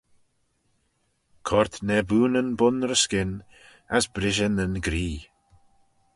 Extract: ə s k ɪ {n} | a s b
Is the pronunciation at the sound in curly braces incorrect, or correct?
correct